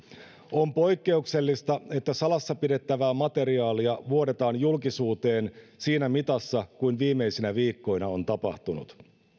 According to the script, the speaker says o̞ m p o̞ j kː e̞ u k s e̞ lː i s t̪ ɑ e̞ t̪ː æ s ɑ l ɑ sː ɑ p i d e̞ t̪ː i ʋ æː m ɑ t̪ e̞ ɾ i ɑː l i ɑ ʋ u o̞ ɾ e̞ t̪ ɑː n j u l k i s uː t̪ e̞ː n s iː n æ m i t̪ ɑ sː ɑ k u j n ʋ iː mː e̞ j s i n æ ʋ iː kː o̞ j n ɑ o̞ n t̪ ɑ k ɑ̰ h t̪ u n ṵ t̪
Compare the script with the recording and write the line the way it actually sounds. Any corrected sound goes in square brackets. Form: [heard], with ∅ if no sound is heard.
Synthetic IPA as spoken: o̞ m p o̞ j kː e̞ u k s e̞ lː i s t̪ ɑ e̞ t̪ː æ s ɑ l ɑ sː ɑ p i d e̞ t̪ː [æ] ʋ æː m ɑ t̪ e̞ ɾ i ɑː l i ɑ ʋ u o̞ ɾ e̞ t̪ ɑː n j u l k i s uː t̪ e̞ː n s iː n æ m i t̪ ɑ sː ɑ k u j n ʋ iː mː e̞ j s i n æ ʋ iː kː o̞ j n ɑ o̞ n t̪ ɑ [p] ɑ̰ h t̪ u n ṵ t̪